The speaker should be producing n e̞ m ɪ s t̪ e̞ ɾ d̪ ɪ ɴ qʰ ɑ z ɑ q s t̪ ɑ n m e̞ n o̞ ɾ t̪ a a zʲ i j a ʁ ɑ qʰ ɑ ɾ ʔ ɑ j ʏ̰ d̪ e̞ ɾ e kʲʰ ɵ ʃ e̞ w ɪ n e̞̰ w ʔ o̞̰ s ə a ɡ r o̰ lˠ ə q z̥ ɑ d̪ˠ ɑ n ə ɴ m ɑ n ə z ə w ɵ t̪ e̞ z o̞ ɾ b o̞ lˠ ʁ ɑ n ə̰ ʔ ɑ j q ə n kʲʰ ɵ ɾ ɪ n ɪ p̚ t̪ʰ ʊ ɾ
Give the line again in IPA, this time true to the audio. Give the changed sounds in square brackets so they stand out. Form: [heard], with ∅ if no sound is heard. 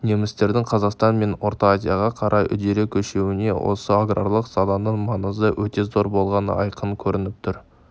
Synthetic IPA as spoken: n e̞ m ɪ s t̪ e̞ ɾ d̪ ɪ [ŋ] qʰ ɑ z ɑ q s t̪ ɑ n m e̞ n o̞ ɾ t̪ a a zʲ i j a ʁ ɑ qʰ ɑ ɾ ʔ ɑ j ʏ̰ d̪ e̞ ɾ e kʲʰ ɵ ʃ e̞ w ɪ n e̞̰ w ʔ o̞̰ s ə a ɡ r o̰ lˠ ə q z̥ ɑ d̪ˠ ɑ n ə ɴ m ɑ n ə z ə w ɵ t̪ e̞ z o̞ ɾ b o̞ lˠ ʁ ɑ n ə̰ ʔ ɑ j q ə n kʲʰ ɵ ɾ ɪ n ɪ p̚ t̪ʰ ʊ ɾ